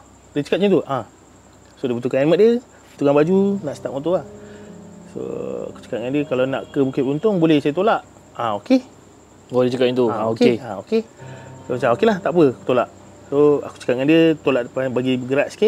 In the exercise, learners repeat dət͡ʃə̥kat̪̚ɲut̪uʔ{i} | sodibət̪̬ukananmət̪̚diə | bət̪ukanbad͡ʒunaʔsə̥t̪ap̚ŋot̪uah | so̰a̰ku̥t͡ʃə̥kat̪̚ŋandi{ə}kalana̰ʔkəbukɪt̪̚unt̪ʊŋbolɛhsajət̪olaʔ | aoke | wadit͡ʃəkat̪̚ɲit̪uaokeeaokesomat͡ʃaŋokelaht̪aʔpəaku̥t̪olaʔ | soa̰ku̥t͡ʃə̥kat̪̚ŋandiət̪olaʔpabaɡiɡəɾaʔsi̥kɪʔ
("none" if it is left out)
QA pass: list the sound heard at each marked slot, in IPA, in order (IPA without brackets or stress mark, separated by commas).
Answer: a, ə